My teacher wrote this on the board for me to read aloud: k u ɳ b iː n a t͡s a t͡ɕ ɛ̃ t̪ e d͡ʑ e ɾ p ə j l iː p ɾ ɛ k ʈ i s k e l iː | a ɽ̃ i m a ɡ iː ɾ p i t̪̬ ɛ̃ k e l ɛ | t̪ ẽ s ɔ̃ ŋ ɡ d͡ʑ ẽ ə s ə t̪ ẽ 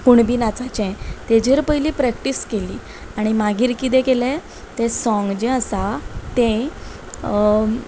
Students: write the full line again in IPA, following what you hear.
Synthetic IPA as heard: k u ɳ b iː n a t͡s a t͡ɕ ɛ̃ t̪ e d͡ʑ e ɾ p ə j l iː p ɾ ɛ k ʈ i s k e l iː | a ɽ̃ i m a ɡ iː ɾ k i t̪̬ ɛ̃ k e l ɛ | t̪ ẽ s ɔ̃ ŋ ɡ d͡ʑ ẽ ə s a t̪ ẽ